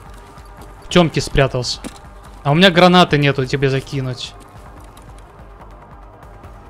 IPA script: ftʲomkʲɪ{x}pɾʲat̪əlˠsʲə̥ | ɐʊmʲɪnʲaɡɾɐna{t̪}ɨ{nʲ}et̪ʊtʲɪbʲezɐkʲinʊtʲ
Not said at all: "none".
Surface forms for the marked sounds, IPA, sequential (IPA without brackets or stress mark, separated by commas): s, t̪, nʲ